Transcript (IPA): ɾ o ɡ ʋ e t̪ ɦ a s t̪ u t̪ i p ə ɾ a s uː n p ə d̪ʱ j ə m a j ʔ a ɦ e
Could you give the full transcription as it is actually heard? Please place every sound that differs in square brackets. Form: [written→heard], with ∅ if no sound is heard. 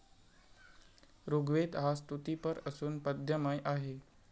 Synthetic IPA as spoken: ɾ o ɡ ʋ e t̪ ɦ a s t̪ u t̪ i p ə ɾ [a→ə] s uː n p ə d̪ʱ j ə m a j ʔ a ɦ e